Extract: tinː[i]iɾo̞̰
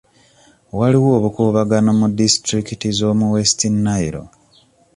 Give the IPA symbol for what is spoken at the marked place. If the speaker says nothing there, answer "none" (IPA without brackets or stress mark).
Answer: a